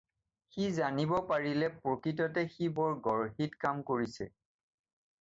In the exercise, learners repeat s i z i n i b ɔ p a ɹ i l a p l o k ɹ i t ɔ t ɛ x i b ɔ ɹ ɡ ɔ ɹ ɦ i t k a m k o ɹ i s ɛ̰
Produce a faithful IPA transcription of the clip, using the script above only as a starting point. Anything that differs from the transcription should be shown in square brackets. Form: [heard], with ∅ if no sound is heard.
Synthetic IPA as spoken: [x] i z [a] n i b ɔ p a ɹ i l [ɛ] p [ɹ] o k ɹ i t ɔ t ɛ x i b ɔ ɹ ɡ ɔ ɹ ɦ i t k a m k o ɹ i s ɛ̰